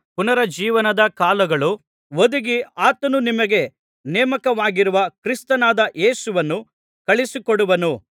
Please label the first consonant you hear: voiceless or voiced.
voiceless